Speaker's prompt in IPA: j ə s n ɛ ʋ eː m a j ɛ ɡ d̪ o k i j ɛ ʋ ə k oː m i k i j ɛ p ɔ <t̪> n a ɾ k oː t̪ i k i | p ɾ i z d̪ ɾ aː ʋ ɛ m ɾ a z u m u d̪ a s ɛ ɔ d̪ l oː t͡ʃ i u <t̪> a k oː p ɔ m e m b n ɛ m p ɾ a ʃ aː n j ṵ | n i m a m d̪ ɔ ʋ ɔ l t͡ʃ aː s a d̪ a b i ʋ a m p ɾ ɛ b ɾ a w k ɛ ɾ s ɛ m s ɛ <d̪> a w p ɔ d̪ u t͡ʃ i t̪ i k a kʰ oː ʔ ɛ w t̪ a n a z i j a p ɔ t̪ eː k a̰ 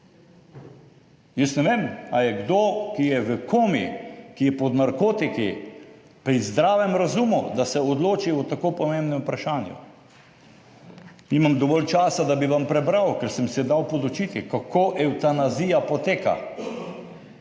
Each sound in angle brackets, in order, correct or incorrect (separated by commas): incorrect, correct, correct